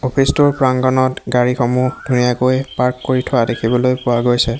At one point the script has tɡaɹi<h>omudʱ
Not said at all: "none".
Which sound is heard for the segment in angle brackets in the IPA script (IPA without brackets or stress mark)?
x